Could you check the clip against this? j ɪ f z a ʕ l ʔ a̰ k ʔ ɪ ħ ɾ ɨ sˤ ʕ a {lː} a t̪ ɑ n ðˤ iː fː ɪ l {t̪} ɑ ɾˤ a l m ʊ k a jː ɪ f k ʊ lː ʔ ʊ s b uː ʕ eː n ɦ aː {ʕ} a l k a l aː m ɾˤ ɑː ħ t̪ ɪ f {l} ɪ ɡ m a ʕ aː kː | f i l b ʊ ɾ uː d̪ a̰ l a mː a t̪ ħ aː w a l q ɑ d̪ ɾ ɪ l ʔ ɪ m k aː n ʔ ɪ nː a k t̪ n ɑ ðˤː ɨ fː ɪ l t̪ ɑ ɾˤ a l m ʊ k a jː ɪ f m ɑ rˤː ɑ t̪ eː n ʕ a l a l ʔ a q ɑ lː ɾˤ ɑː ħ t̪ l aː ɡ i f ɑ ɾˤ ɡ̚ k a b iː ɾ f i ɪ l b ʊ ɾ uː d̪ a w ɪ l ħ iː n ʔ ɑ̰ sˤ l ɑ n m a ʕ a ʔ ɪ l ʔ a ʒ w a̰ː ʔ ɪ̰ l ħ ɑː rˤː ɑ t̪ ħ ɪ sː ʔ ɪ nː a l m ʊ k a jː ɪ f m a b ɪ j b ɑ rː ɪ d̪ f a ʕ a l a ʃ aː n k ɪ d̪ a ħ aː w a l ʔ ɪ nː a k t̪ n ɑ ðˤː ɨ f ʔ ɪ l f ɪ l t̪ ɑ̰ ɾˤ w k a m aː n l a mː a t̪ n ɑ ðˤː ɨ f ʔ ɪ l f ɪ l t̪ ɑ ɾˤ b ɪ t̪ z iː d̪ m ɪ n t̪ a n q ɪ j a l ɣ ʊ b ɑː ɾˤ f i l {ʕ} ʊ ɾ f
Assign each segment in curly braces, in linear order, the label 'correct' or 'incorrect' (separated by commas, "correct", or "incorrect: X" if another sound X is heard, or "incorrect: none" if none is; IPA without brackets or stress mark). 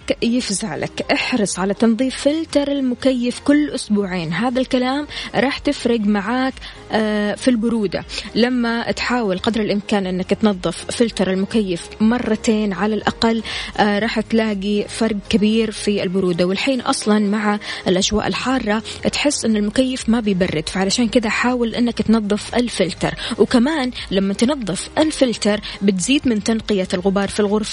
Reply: incorrect: l, correct, incorrect: ð, incorrect: ɾ, incorrect: ɣ